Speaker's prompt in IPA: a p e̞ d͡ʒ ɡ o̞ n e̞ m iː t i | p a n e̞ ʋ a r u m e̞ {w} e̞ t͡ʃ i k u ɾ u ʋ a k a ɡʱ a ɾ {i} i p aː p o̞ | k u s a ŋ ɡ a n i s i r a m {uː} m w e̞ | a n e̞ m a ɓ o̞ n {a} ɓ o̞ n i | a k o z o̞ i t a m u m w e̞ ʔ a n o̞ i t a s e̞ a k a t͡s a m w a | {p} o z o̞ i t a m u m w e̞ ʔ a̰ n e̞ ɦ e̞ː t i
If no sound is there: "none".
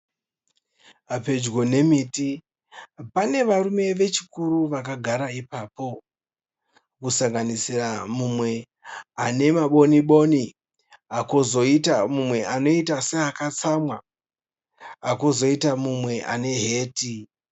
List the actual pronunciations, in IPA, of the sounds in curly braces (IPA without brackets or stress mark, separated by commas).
ʋ, a, u, i, k